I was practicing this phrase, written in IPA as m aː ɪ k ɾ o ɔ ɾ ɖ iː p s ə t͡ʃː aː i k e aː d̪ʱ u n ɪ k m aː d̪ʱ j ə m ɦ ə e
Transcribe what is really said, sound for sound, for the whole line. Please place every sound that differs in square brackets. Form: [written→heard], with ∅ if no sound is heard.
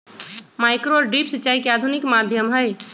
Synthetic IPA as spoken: m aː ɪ k ɾ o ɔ ɾ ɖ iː p s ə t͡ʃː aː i k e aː d̪ʱ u n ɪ k m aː d̪ʱ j ə m ɦ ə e